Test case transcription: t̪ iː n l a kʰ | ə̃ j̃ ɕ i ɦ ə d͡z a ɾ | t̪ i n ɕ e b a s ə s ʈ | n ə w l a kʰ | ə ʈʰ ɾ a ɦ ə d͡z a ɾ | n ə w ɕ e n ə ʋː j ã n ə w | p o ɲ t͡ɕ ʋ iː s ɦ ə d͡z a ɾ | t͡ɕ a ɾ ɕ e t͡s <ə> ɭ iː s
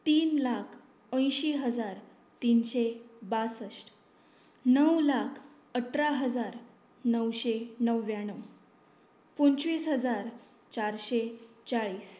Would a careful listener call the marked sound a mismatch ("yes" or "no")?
yes